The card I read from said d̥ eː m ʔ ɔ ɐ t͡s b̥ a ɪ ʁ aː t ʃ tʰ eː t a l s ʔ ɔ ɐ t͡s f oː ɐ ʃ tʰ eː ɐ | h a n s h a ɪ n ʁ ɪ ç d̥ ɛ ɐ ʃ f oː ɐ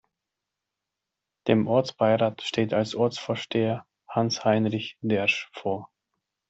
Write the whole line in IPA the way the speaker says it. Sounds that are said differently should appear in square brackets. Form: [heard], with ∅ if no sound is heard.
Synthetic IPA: d̥ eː m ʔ ɔ ɐ t͡s b̥ a ɪ ʁ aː t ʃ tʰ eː t a l s ʔ ɔ ɐ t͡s f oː ɐ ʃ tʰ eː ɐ | h a n s h a ɪ n ʁ ɪ ç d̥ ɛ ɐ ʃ f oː ɐ